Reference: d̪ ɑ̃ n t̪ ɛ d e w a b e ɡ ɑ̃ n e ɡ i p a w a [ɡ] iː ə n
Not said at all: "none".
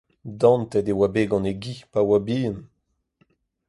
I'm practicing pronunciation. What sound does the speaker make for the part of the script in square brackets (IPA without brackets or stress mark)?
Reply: b